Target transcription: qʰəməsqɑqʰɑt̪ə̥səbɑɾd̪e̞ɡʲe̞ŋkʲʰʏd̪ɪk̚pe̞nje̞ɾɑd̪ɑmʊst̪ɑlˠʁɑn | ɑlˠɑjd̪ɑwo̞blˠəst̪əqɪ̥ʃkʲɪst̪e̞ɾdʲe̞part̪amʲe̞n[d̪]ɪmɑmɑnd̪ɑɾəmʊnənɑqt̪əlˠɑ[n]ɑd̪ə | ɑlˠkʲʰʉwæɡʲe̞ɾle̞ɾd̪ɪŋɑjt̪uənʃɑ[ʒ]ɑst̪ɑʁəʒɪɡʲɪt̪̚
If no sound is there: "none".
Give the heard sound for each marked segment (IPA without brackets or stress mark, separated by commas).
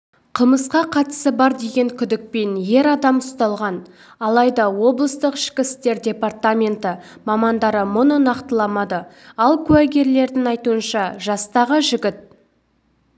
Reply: t̪, m, ʒ